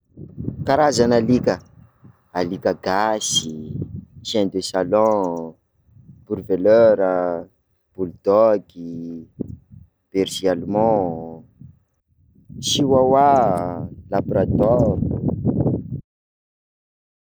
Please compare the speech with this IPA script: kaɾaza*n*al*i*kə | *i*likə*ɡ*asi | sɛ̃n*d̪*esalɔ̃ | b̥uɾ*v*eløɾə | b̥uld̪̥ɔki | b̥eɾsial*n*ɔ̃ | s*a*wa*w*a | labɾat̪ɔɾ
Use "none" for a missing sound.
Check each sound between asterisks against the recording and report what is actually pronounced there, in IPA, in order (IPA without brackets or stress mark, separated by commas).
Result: n, i, a, ɡ, d̪, v, m, i, w